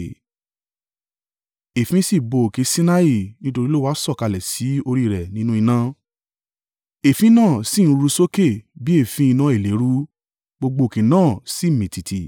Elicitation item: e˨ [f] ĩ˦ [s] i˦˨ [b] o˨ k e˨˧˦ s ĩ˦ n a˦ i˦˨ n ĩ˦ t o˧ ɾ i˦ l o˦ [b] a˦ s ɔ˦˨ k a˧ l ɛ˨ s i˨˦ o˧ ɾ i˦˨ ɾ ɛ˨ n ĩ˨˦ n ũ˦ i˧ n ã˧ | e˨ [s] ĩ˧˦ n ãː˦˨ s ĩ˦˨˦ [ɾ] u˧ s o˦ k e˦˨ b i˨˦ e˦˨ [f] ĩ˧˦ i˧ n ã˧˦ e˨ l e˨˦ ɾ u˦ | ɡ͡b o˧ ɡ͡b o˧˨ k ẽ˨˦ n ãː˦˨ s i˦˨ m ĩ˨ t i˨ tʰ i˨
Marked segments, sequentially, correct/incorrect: correct, correct, correct, incorrect, incorrect, correct, correct

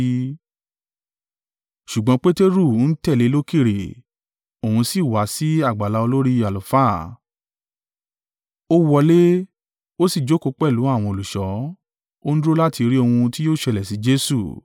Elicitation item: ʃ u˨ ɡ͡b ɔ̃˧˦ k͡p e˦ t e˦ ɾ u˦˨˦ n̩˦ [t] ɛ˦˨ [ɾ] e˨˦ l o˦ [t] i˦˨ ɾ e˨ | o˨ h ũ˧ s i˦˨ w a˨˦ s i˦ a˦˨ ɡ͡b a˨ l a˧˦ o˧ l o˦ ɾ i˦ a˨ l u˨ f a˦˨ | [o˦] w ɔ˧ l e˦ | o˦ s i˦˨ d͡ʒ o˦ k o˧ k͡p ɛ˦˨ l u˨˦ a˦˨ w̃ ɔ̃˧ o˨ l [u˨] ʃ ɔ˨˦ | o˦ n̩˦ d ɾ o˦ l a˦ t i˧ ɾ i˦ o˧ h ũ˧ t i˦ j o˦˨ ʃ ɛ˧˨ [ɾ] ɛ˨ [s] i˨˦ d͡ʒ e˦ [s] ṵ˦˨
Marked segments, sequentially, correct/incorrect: correct, incorrect, incorrect, correct, correct, incorrect, correct, correct

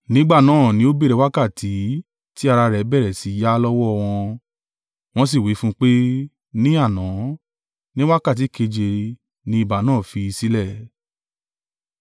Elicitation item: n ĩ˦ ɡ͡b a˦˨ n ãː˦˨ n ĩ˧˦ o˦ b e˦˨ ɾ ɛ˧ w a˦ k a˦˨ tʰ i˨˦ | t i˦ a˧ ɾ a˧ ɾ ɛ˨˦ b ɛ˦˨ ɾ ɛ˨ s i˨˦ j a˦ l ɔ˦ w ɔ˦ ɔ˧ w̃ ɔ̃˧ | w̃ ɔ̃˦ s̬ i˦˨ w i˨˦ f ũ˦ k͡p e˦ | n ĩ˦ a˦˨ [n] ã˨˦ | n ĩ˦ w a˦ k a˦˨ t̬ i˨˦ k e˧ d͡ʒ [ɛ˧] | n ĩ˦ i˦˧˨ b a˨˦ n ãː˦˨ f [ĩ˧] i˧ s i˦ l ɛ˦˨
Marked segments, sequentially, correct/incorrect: correct, incorrect, incorrect

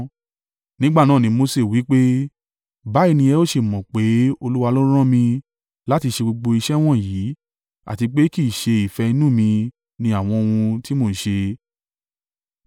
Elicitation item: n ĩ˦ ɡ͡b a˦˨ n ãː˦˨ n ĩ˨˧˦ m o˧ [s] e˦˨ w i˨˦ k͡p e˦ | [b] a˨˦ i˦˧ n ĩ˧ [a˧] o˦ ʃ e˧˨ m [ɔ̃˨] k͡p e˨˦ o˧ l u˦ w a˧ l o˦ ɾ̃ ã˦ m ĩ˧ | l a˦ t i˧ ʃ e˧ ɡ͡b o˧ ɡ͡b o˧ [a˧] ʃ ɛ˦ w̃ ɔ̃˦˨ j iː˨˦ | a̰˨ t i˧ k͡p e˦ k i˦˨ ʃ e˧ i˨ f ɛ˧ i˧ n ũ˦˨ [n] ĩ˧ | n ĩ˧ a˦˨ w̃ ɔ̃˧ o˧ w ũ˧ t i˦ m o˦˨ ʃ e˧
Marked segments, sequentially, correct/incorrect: correct, correct, incorrect, correct, incorrect, incorrect

